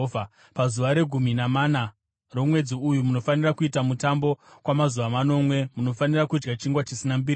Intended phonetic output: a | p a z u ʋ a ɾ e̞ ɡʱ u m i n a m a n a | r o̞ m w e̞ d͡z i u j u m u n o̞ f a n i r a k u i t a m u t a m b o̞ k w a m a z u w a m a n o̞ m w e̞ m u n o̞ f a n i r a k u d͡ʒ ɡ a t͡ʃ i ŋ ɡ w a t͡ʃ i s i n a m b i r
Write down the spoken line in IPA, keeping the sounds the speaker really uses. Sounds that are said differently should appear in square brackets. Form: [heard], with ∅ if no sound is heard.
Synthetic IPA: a | p a z u ʋ a ɾ e̞ ɡʱ u m i n a m a n a | r o̞ m w e̞ d͡z i u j u m u n o̞ f a n i r a k u i t a m u t a m b o̞ k w a m a z u [ʋ] a m a n o̞ m w e̞ m u n o̞ f a n i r a k u d͡ʒ ɡ a t͡ʃ i ŋ ɡ w a t͡ʃ i s i n a m b i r